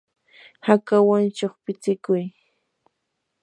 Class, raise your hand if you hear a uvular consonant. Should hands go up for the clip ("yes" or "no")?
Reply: yes